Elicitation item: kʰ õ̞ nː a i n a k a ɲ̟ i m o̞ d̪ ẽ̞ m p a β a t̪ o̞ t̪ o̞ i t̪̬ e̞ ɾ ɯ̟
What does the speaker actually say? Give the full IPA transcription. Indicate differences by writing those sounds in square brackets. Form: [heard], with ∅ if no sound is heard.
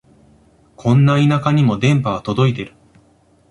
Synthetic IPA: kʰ õ̞ nː a i n a k a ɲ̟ i m o̞ d̪ ẽ̞ m p a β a t̪ o̞ [d̪] o̞ i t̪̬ e̞ ɾ ɯ̟

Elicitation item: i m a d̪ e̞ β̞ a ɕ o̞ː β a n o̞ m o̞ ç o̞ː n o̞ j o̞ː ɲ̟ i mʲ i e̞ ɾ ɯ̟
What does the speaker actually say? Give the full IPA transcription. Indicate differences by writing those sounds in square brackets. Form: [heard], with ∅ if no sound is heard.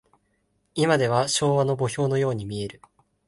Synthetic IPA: i m a d̪ e̞ β̞ a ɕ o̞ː β a n o̞ [b] o̞ ç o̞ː n o̞ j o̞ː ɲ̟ i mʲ i e̞ ɾ ɯ̟

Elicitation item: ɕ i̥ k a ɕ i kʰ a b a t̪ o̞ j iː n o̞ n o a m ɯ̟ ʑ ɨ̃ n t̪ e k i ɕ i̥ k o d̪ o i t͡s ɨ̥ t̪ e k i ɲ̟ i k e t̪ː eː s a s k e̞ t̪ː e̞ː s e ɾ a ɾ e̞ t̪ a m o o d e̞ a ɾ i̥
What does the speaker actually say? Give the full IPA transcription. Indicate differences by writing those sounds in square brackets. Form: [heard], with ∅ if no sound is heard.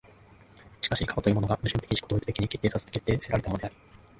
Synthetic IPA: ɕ i̥ k a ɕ i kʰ a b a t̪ o̞ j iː [m] o̞ n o a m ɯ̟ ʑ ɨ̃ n t̪ e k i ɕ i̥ k o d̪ o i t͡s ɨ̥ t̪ e k i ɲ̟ i k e t̪ː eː s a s k e̞ t̪ː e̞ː s e ɾ a ɾ e̞ t̪ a m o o d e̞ a ɾ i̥

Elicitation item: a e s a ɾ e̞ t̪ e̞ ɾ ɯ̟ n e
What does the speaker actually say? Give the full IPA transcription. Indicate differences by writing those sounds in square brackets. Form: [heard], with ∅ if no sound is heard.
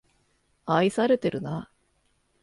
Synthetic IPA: a [i] s a ɾ e̞ t̪ e̞ ɾ ɯ̟ n [a]

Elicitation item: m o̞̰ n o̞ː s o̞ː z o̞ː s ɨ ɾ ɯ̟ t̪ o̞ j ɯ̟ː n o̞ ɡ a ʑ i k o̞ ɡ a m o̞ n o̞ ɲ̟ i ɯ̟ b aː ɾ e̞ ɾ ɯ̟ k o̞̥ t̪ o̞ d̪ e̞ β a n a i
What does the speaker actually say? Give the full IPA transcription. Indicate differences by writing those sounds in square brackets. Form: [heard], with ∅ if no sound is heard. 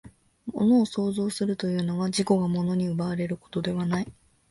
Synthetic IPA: m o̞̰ n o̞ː s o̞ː z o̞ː s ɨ ɾ ɯ̟ t̪ o̞ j ɯ̟ː n o̞ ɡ a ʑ i k o̞ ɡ a m o̞ n o̞ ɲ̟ i ɯ̟ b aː ɾ e̞ ɾ ɯ̟ k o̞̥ t̪ o̞ d̪ e̞ β a n a i

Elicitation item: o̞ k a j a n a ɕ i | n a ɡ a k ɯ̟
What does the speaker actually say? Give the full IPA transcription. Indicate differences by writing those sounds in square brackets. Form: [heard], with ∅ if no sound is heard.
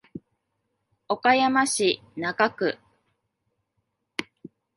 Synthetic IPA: o̞ k a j a [m] a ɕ i | n a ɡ a k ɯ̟

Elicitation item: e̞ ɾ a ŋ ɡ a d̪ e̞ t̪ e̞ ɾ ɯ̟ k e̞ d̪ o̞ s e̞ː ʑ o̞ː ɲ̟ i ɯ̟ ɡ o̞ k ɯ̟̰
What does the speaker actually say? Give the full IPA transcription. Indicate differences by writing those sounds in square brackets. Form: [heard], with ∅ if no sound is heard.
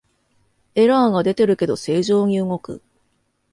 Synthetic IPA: e̞ ɾ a ŋ ɡ a d̪ e̞ t̪ e̞ ɾ ɯ̟ k e̞ d̪ o̞ s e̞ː ʑ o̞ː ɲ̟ i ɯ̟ [ŋ] o̞ k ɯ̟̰

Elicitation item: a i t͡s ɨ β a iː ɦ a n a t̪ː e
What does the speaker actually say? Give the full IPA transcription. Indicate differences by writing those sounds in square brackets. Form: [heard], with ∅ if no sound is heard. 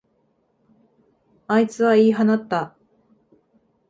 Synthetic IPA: a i t͡s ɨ β a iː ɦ a n a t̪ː [a]

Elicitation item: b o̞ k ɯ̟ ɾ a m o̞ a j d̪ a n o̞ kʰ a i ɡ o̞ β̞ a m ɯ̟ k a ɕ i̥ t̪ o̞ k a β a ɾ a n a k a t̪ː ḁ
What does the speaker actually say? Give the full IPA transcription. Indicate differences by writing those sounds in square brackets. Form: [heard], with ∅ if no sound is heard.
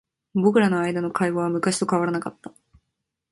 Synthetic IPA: b o̞ k ɯ̟ ɾ a [n] o̞ a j d̪ a n o̞ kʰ a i ɡ o̞ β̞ a m ɯ̟ k a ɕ i̥ t̪ o̞ k a β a ɾ a n a k a t̪ː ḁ

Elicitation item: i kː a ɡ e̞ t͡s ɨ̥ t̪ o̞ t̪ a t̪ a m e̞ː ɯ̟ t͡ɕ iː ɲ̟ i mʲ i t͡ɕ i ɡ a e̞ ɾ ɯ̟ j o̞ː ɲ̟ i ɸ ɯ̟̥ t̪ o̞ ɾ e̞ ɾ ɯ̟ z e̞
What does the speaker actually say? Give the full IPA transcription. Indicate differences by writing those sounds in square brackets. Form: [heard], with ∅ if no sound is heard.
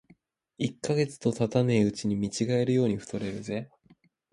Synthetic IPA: i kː a ɡ e̞ t͡s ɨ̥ t̪ o̞ t̪ a t̪ a [n] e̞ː ɯ̟ t͡ɕ [i] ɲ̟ i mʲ i t͡ɕ i ɡ a e̞ ɾ ɯ̟ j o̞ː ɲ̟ i ɸ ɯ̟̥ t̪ o̞ ɾ e̞ ɾ ɯ̟ z e̞

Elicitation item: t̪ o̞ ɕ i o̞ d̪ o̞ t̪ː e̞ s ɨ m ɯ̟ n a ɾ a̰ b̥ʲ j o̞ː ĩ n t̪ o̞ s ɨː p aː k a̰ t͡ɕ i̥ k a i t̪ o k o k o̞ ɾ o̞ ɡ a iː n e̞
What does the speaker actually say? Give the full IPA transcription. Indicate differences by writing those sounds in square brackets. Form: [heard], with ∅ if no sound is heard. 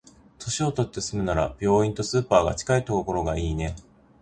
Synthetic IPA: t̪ o̞ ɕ i o̞ [t̪] o̞ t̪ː e̞ s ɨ m ɯ̟ n a ɾ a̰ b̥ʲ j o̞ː ĩ n t̪ o̞ s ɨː p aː [ɡ] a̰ t͡ɕ i̥ k a i t̪ o k o k o̞ ɾ o̞ ɡ a iː n e̞

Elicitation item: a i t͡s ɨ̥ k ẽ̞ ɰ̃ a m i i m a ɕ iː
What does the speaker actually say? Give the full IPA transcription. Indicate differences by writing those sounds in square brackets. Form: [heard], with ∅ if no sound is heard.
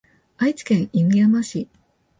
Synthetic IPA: a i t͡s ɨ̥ k ẽ̞ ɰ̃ [i] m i [a] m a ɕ [i]

